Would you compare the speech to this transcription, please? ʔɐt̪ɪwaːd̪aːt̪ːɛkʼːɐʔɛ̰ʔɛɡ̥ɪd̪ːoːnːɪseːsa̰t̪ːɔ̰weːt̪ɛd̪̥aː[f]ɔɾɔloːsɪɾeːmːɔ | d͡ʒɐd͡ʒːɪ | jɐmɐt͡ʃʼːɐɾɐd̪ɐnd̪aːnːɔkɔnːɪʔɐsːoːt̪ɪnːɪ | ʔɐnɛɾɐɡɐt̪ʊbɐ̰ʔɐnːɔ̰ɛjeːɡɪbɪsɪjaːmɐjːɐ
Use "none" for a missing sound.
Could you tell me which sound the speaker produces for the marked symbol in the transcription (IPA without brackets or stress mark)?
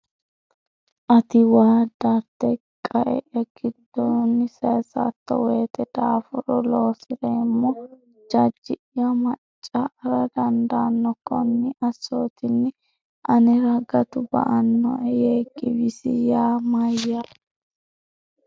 f